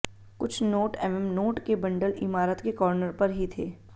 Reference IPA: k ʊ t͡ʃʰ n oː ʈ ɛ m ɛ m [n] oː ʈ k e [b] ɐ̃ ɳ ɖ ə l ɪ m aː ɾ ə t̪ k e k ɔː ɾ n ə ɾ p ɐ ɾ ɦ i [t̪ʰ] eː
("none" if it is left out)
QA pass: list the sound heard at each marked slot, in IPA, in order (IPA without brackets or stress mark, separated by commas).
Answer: n, b, t̪ʰ